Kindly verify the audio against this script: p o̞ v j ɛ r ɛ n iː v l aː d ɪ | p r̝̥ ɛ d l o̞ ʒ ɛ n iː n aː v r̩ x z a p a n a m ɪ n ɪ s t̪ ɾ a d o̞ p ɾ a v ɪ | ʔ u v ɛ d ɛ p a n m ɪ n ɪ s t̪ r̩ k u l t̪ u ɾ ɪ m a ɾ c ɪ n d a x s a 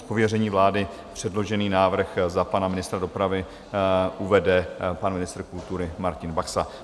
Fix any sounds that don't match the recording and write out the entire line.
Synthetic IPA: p o̞ v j ɛ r ɛ ɲ iː v l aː d ɪ | p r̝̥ ɛ d l o̞ ʒ ɛ n iː n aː v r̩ x z a p a n a m ɪ n ɪ s t̪ ɾ a d o̞ p ɾ a v ɪ | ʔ u v ɛ d ɛ p a n m ɪ n ɪ s t̪ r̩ k u l t̪ u ɾ ɪ m a ɾ c ɪ n b a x s a